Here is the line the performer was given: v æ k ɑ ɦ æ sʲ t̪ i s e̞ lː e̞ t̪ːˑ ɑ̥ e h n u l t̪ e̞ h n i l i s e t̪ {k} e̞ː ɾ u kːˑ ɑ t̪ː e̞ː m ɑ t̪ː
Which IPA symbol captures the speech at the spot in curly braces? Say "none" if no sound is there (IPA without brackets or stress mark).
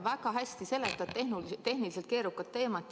k